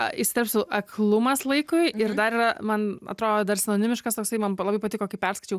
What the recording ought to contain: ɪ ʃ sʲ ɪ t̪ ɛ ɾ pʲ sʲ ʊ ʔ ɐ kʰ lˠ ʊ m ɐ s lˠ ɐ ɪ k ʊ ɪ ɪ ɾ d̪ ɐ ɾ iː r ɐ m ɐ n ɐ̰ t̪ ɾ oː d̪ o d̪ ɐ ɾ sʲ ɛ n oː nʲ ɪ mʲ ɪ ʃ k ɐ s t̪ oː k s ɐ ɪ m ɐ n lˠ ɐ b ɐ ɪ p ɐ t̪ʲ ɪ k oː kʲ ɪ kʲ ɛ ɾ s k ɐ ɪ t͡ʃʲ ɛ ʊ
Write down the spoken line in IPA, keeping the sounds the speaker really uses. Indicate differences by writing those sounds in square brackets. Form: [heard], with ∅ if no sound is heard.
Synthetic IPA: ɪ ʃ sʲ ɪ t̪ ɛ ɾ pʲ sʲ ʊ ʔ ɐ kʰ lˠ ʊ m ɐ s lˠ ɐ ɪ k ʊ ɪ ɪ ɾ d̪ ɐ ɾ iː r ɐ m ɐ n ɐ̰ t̪ ɾ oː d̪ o d̪ ɐ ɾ sʲ ɛ n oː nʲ ɪ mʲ ɪ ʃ k ɐ s t̪ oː k s ɐ ɪ m ɐ n lˠ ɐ b ɐ ɪ p ɐ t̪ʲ ɪ k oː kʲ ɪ [pʲ] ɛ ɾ s k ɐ ɪ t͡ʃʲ ɛ ʊ